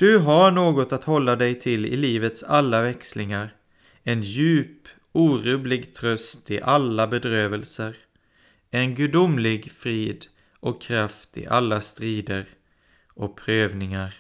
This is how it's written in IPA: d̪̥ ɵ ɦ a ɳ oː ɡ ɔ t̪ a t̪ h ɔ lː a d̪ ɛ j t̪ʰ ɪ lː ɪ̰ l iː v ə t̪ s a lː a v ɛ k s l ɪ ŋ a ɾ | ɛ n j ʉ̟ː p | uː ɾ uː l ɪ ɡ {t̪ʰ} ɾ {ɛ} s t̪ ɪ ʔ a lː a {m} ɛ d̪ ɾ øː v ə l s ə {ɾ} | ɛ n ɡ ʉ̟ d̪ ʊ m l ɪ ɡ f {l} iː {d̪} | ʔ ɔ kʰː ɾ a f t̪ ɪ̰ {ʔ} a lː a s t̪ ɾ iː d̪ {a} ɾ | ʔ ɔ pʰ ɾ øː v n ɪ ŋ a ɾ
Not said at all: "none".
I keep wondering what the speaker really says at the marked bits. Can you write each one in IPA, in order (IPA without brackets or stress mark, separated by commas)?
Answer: t̪ʰ, œ, b, ɾ, ɾ, d̪, ʔ, ə